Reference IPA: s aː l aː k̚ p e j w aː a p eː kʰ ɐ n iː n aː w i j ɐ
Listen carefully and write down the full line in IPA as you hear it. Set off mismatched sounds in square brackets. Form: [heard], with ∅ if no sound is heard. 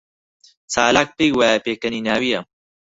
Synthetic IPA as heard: [t͡s] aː l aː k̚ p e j w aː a p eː [k] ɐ n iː n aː w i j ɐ

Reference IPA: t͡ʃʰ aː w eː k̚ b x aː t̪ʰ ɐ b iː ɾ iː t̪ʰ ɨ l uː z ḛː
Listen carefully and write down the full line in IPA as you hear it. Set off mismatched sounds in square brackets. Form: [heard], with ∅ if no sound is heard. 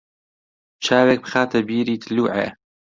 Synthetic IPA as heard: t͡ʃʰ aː w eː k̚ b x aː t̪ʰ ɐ b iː ɾ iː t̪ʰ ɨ l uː [ʕ] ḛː

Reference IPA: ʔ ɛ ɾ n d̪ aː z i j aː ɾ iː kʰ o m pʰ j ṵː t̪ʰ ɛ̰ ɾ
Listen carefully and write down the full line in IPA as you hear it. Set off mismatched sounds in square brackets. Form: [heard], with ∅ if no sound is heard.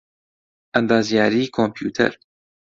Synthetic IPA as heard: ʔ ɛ [∅] n d̪ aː z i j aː ɾ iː kʰ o m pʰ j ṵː t̪ʰ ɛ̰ ɾ

